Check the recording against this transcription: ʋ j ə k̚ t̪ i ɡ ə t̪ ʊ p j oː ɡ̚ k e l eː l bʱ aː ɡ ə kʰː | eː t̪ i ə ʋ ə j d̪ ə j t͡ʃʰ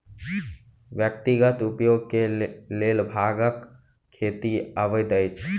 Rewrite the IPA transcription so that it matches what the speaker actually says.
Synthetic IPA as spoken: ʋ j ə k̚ t̪ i ɡ ə t̪ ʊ p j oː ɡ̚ k e l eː l bʱ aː ɡ ə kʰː | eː t̪ i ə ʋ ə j d̪ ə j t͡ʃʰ